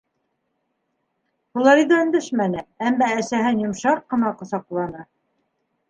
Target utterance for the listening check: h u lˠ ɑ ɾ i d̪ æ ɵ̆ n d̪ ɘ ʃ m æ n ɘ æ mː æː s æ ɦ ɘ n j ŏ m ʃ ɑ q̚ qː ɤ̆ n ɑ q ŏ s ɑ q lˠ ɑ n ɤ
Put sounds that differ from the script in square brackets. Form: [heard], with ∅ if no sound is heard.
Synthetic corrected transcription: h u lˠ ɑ ɾ i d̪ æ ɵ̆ n d̪ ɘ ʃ m æ n ɘ æ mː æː s æ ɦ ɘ n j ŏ m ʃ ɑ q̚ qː ɤ̆ n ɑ q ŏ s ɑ q lˠ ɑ n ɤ

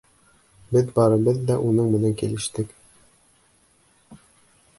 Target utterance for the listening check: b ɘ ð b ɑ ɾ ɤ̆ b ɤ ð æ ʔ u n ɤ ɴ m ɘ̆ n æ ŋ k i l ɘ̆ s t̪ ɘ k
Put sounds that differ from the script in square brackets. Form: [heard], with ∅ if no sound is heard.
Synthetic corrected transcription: b ɘ ð b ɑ ɾ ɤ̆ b ɤ [ðː] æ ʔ u n ɤ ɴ m ɘ̆ n æ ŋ k i l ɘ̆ [ʃ] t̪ ɘ k

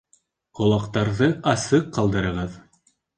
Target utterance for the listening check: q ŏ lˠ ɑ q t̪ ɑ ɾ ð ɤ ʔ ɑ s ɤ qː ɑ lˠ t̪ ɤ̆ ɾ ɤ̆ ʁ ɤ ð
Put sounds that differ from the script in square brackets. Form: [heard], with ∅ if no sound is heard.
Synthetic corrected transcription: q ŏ lˠ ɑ q t̪ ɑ ɾ ð ɤ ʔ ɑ s ɤ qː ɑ lˠ [d̪] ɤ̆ ɾ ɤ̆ ʁ ɤ ð

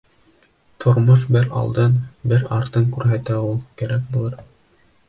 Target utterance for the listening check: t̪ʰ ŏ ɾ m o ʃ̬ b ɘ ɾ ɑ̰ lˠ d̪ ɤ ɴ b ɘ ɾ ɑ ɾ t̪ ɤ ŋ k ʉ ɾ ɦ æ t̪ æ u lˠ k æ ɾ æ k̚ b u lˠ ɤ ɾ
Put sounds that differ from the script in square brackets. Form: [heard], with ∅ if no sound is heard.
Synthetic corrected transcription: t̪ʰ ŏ ɾ m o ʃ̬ b ɘ ɾ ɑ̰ lˠ d̪ ɤ [n] b ɘ ɾ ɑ ɾ t̪ ɤ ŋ k ʉ ɾ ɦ æ t̪ æ u lˠ k æ ɾ æ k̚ b u lˠ ɤ ɾ

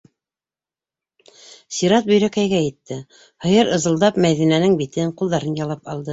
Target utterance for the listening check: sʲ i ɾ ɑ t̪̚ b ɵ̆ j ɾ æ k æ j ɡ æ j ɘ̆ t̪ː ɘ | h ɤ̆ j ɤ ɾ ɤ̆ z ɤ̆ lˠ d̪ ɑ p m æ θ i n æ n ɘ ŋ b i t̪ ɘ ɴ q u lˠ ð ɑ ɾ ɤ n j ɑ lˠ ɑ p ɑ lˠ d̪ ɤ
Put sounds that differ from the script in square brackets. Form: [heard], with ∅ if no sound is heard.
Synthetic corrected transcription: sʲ i ɾ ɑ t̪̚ b ɵ̆ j ɾ æ k æ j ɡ æ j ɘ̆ t̪ː ɘ | h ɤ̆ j ɤ ɾ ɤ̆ z ɤ̆ lˠ d̪ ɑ p m æ [ð] i n æ n ɘ ŋ b i t̪ ɘ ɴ q u lˠ ð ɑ ɾ ɤ n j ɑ lˠ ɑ p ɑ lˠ d̪ ɤ

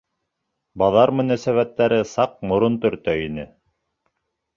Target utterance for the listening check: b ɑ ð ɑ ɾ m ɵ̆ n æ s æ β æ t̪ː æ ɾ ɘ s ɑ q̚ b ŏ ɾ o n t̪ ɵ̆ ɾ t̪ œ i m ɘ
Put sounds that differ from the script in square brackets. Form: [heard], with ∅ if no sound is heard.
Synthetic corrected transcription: b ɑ ð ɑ ɾ m ɵ̆ n æ s æ β æ t̪ː æ ɾ ɘ s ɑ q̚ [m] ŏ ɾ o n t̪ ɵ̆ ɾ t̪ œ i [n] ɘ

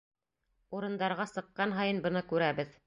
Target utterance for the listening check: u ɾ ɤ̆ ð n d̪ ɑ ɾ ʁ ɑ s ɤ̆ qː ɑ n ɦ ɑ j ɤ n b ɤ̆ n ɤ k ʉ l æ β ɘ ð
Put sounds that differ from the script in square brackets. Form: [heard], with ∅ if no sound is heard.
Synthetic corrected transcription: u ɾ ɤ̆ [∅] n d̪ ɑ ɾ ʁ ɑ s ɤ̆ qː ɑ n ɦ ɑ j ɤ n b ɤ̆ n ɤ k ʉ [ɾ] æ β ɘ ð

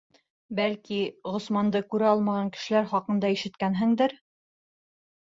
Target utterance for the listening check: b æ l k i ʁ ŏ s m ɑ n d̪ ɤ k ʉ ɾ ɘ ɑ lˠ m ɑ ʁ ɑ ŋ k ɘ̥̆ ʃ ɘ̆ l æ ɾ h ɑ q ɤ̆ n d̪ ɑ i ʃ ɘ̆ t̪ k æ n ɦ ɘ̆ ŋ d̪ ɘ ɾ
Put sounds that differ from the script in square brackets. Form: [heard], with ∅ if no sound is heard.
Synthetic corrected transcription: b æ l k i ʁ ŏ s m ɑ n d̪ ɤ k ʉ ɾ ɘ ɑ lˠ m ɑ ʁ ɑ ŋ k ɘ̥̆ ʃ ɘ̆ l æ ɾ [χ] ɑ q ɤ̆ n d̪ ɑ i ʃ ɘ̆ t̪ k æ n ɦ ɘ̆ ŋ d̪ ɘ ɾ

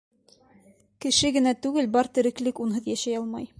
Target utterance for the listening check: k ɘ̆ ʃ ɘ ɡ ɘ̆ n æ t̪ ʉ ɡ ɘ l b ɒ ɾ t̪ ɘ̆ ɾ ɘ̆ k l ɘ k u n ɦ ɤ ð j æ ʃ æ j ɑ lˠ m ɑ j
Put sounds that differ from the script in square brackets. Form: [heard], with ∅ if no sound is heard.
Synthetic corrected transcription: k ɘ̆ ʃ ɘ ɡ ɘ̆ n æ t̪ ʉ ɡ ɘ l b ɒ ɾ t̪ ɘ̆ ɾ ɘ̆ k l ɘ k u n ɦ ɤ ð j æ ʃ æ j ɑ lˠ m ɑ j

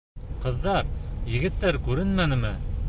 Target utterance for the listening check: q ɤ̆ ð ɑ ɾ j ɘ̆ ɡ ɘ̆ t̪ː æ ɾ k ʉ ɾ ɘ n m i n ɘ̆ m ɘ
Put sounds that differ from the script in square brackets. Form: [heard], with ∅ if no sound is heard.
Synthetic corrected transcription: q ɤ̆ [ðː] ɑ ɾ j ɘ̆ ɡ ɘ̆ t̪ː æ ɾ k ʉ ɾ ɘ n m [æ] n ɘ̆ m ɘ

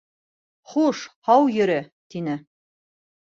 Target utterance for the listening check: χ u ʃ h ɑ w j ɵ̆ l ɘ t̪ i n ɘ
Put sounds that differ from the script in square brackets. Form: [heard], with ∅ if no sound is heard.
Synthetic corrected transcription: χ u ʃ h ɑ w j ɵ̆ [ɾ] ɘ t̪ i n ɘ

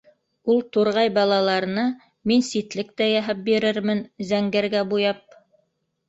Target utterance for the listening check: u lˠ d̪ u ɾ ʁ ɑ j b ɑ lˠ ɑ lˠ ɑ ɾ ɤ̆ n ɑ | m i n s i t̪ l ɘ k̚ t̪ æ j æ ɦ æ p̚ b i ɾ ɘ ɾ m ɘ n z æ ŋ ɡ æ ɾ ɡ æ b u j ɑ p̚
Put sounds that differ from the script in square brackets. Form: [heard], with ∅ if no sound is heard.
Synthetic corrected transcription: u lˠ [t̪] u ɾ ʁ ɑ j b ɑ lˠ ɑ lˠ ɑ ɾ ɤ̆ n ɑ | m i n s i t̪ l ɘ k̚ t̪ æ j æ ɦ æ p̚ b i ɾ ɘ ɾ m ɘ n z æ ŋ ɡ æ ɾ ɡ æ b u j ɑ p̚

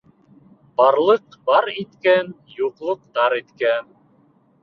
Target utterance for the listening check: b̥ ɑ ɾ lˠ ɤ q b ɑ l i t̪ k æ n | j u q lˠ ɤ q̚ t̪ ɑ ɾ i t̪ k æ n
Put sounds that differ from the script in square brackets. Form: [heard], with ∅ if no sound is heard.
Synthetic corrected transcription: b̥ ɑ ɾ lˠ ɤ q b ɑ [ɾ] i t̪ k æ n | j u q lˠ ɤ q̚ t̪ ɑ ɾ i t̪ k æ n

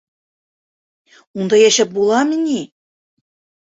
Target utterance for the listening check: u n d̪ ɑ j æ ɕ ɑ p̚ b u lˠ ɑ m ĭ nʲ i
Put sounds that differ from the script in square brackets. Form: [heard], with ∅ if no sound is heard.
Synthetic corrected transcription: u n d̪ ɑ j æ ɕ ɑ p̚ b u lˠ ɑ m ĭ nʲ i

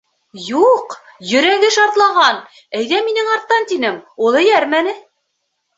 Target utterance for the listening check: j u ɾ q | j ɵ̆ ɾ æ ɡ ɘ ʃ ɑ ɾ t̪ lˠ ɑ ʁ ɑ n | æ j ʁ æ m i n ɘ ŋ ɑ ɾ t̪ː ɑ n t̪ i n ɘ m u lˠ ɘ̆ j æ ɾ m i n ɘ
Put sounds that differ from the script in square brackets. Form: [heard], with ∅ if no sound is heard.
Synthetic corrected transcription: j u [∅] q | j ɵ̆ ɾ æ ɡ ɘ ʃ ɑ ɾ t̪ lˠ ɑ ʁ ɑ n | æ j [ð] æ m i n ɘ ŋ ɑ ɾ t̪ː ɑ n t̪ i n ɘ m u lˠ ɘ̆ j æ ɾ m [æ] n ɘ

